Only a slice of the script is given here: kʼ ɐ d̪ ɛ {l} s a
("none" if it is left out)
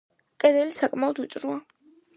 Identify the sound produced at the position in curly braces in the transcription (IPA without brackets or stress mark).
l